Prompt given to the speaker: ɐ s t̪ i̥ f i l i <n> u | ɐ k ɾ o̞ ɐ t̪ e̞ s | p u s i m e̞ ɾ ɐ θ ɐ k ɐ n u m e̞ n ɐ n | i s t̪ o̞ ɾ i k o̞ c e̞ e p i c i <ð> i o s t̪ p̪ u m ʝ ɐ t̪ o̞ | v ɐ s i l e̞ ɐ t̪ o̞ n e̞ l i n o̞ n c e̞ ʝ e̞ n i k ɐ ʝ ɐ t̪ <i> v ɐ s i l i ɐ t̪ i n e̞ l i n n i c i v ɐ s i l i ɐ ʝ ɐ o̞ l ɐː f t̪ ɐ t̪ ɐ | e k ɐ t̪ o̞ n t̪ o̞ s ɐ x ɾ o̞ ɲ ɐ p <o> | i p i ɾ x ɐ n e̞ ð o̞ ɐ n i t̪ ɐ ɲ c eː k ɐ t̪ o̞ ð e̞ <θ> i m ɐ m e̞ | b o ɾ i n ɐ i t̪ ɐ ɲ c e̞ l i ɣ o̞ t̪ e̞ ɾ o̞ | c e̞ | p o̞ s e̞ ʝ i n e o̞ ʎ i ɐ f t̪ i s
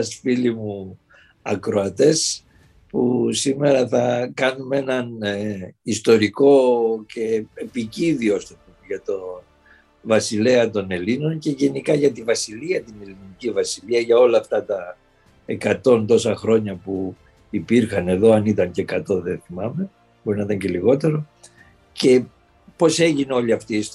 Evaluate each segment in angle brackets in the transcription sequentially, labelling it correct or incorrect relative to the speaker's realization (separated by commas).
incorrect, correct, correct, incorrect, correct